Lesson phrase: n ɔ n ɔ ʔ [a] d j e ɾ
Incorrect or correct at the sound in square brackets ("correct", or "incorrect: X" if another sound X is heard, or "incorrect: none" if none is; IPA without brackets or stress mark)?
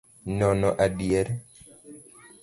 correct